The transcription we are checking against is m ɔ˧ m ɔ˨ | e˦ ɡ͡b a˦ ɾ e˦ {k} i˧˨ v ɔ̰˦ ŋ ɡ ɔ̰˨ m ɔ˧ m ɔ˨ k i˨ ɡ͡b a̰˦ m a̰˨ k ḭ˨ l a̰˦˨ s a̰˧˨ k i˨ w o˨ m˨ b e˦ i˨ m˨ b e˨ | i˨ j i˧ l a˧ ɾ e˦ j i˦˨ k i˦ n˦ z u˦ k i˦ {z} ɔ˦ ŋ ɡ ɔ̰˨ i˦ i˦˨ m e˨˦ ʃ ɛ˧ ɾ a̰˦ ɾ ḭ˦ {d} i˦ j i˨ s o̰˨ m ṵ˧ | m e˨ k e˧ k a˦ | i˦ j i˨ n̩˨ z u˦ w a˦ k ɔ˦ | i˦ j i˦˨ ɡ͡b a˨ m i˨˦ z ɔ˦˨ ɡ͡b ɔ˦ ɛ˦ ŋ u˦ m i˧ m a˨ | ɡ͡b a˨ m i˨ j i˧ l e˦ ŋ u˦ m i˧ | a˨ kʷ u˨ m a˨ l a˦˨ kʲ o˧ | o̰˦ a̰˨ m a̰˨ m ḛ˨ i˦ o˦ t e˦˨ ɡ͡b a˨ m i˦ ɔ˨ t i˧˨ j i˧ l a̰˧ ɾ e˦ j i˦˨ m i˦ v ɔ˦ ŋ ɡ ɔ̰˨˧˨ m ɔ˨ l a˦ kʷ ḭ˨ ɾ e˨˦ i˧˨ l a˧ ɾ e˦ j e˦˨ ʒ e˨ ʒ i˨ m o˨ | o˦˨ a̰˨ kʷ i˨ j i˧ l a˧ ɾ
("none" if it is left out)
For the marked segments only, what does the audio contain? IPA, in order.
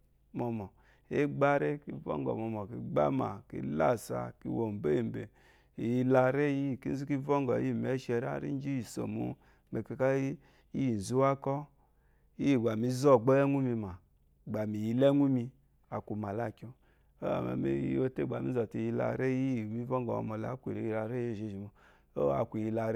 k, v, d͡ʒ

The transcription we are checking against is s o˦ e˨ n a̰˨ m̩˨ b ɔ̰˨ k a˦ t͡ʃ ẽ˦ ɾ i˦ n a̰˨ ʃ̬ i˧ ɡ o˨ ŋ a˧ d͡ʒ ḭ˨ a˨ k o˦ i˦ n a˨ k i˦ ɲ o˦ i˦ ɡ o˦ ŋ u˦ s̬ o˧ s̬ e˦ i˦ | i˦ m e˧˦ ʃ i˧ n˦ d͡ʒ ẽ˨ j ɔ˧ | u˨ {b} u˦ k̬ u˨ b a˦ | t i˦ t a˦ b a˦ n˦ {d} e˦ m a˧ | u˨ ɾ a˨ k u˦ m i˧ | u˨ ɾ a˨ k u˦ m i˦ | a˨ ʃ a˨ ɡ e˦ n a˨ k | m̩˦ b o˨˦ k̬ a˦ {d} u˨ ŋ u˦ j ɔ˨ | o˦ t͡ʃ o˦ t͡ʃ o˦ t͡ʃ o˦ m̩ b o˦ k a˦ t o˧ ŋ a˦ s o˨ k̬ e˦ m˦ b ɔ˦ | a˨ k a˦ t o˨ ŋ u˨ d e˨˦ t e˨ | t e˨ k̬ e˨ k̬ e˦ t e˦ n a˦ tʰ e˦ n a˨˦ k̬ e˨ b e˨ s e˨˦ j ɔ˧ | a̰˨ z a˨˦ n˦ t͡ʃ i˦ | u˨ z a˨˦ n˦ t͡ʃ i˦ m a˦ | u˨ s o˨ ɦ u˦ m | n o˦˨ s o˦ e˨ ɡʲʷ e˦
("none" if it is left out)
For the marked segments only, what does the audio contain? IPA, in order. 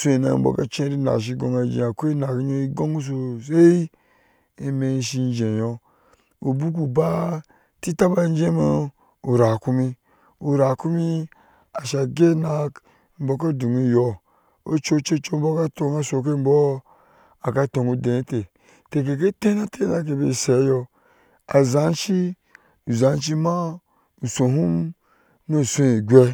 b, d͡ʒ, d

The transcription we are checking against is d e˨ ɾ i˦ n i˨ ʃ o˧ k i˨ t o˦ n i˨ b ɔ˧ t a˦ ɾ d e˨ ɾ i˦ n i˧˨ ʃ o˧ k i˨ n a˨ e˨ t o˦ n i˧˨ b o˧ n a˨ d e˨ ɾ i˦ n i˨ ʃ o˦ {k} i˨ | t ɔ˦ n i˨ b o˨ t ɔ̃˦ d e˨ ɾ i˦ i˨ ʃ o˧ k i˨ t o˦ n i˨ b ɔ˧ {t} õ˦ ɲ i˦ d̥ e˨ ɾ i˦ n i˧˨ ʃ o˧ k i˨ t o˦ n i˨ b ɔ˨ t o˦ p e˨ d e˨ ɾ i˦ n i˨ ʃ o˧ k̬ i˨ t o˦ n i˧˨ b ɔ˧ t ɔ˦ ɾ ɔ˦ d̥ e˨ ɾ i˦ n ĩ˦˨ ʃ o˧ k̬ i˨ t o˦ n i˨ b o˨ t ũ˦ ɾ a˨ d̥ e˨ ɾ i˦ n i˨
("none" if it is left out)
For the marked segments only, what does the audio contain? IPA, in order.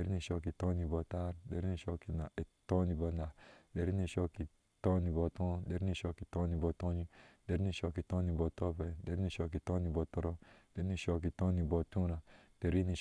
k, t

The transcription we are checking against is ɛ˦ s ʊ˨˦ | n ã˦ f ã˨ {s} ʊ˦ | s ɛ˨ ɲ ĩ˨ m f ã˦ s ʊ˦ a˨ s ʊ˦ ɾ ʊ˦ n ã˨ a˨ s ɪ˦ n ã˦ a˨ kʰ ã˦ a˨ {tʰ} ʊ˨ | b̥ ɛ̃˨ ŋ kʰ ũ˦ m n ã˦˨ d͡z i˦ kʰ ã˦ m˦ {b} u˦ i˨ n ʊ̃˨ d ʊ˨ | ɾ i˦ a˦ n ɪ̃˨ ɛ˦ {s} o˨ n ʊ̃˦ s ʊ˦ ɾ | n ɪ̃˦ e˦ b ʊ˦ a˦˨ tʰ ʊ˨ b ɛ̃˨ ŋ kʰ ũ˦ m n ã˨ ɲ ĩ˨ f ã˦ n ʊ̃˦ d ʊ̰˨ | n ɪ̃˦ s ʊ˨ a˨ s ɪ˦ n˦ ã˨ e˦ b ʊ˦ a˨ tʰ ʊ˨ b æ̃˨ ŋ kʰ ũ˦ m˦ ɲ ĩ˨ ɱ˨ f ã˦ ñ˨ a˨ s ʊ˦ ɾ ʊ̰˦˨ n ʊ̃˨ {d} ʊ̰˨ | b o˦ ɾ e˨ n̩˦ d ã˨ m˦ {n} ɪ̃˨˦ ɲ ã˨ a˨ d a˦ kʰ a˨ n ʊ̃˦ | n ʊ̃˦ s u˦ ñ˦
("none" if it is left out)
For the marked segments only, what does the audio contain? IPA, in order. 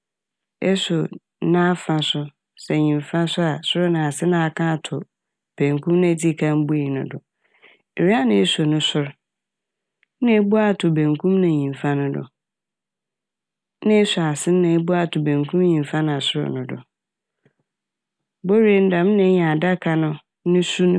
s, tʰ, b, s, d, n

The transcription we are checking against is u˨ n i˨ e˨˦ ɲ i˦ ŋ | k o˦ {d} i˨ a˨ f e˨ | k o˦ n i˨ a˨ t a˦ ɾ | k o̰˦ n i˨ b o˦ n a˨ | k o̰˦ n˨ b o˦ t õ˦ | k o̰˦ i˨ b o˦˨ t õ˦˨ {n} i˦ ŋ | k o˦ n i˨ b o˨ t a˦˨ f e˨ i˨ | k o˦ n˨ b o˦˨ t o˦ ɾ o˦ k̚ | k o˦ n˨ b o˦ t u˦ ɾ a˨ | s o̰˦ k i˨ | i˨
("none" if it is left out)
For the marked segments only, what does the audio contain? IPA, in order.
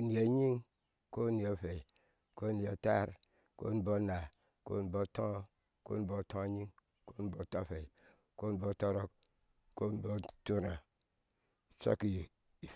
n, ɲ

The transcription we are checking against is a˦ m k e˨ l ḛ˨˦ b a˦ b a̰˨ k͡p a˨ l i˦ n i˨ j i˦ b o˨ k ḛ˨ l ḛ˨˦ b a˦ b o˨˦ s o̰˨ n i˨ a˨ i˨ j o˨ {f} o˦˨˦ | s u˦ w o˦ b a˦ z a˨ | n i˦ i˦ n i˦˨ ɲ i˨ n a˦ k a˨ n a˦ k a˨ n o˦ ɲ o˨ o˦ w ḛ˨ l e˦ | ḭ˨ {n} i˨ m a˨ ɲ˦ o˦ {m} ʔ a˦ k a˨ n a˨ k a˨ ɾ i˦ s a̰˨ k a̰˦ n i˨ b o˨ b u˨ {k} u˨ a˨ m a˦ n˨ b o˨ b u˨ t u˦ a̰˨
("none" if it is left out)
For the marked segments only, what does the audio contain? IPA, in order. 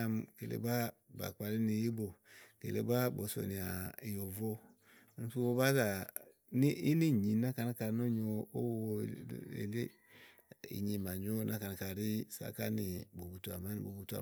v, ɲ, n, t

